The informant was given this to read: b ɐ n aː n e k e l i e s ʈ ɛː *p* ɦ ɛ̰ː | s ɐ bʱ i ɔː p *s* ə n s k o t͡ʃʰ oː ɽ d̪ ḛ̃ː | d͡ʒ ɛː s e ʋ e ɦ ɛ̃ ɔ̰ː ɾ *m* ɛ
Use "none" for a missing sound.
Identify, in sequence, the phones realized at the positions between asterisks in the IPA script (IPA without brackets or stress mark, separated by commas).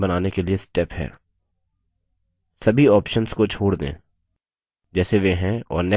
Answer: p, ʃ, n